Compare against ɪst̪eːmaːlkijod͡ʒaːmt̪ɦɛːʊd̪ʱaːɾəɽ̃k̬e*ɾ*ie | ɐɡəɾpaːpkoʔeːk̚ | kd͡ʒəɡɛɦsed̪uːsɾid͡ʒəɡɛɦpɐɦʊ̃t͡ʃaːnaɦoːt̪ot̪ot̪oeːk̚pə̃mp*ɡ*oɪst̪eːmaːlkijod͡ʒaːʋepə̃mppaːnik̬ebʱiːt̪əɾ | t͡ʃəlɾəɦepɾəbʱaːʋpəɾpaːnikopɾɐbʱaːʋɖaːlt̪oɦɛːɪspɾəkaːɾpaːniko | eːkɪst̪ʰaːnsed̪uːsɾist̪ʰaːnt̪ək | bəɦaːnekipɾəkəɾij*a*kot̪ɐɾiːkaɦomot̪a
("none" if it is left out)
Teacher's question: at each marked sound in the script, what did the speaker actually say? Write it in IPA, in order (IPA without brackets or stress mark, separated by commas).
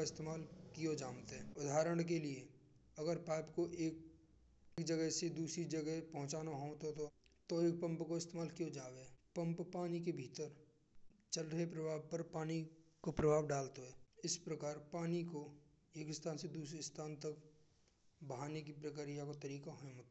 l, k, a